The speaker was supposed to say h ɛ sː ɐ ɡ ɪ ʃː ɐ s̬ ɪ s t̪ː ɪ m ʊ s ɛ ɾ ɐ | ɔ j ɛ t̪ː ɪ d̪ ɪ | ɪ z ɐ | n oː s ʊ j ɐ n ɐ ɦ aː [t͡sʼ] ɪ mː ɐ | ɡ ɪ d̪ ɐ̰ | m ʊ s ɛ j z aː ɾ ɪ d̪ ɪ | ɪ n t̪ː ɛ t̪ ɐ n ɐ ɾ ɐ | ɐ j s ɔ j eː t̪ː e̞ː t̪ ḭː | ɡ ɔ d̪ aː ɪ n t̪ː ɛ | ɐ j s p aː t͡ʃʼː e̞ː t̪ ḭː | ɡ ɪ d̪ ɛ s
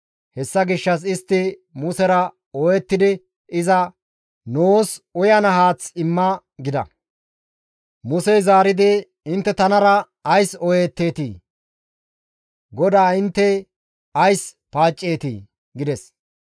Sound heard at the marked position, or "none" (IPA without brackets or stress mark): t͡s